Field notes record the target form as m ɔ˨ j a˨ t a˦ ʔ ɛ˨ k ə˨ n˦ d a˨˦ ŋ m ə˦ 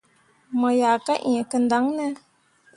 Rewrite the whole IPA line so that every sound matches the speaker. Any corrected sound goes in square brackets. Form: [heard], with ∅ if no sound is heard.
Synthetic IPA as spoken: m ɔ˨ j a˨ [k] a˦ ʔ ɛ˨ k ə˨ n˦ d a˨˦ ŋ [n] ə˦